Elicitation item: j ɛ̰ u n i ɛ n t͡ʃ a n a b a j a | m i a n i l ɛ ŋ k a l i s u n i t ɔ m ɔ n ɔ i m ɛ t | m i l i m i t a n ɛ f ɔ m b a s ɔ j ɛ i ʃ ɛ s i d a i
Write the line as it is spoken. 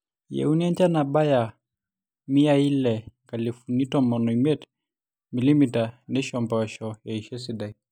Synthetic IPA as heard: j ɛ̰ u n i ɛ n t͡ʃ a n a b a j a | m i a i l ɛ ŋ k a l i f u n i t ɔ m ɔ n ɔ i m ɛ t | m i l i m i t a n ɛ ʃ ɔ m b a ʃ ɔ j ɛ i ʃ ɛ s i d a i